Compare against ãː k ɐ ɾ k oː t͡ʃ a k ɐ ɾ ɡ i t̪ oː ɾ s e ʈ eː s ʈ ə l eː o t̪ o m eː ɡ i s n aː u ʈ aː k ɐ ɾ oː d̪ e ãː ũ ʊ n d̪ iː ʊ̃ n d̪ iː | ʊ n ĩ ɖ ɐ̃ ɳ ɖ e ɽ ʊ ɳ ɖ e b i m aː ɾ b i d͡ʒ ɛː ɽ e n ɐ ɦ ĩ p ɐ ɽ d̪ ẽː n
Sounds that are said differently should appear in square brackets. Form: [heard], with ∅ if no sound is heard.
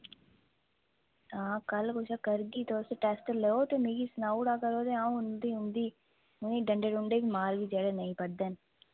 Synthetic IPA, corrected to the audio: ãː k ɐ [l] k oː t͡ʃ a k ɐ ɾ ɡ i t̪ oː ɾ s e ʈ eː s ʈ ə l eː o t̪ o m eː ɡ i s n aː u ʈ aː k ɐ ɾ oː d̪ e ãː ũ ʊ n d̪ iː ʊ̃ n d̪ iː | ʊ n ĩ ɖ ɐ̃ ɳ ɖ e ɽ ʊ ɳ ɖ e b i m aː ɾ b i d͡ʒ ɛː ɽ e n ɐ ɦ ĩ p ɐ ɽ d̪ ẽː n